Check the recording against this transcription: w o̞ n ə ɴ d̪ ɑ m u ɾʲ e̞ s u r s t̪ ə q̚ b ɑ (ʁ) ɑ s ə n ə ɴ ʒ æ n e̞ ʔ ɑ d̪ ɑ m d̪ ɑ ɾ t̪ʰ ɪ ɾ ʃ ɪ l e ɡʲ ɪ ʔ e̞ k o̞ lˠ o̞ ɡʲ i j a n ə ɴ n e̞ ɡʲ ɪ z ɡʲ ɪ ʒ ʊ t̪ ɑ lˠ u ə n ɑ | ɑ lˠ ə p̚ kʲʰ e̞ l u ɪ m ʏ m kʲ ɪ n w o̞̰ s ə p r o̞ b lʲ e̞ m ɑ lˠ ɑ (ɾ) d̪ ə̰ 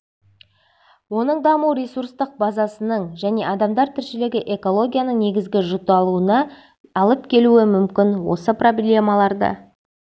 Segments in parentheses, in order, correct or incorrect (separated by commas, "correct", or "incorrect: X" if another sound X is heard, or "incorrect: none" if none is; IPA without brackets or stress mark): incorrect: z, correct